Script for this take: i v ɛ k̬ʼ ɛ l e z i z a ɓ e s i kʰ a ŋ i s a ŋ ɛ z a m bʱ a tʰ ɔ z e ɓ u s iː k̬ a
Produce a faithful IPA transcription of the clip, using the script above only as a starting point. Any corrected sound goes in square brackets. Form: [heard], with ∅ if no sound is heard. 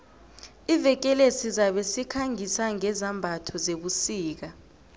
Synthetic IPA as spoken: i v ɛ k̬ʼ ɛ l e [s] i z a ɓ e s i kʰ a ŋ i s a ŋ ɛ z a m bʱ a tʰ ɔ z e ɓ u s iː k̬ a